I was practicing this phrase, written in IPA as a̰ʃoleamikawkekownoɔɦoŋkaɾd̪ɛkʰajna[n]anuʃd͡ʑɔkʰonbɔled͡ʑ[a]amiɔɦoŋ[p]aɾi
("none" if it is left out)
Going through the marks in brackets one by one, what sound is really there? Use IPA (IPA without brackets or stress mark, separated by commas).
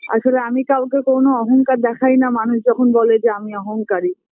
m, e, k